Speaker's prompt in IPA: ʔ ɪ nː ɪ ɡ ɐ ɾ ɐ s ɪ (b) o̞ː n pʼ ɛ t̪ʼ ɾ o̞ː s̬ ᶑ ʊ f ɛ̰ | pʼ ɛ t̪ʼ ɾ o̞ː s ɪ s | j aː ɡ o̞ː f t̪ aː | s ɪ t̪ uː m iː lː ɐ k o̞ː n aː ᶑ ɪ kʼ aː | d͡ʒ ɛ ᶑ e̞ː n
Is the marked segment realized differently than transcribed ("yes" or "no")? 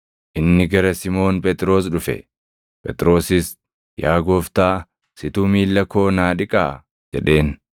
yes